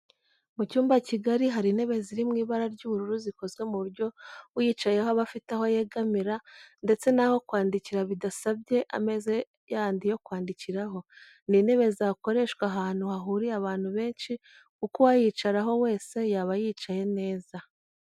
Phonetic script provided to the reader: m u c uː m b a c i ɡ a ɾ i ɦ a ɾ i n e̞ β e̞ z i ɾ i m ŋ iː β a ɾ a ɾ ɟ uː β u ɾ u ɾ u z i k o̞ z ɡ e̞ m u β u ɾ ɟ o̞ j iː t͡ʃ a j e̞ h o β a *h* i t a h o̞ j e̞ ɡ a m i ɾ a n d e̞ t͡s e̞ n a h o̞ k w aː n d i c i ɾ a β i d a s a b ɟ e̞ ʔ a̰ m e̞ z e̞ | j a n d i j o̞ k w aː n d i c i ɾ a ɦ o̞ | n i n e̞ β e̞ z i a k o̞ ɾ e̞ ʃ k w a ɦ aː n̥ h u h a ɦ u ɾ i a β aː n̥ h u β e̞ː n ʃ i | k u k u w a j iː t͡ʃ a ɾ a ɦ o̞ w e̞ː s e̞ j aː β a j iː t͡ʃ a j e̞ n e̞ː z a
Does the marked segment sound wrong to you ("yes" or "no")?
yes